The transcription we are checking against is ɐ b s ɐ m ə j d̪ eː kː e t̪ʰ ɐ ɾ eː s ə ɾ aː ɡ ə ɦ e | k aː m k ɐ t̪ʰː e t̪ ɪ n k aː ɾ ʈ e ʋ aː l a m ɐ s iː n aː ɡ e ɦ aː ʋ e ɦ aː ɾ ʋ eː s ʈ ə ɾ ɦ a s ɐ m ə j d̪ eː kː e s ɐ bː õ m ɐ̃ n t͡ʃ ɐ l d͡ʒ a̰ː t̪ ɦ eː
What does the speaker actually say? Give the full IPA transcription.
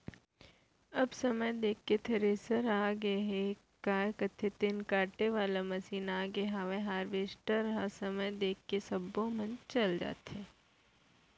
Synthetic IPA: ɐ b s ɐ m ə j d̪ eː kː e t̪ʰ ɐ ɾ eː s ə ɾ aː ɡ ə ɦ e | k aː k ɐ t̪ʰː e t̪ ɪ n k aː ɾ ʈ e ʋ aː l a m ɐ s iː n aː ɡ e ɦ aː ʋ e ɦ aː ɾ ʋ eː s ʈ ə ɾ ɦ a s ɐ m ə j d̪ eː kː e s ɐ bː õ m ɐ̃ n t͡ʃ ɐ l d͡ʒ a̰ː t̪ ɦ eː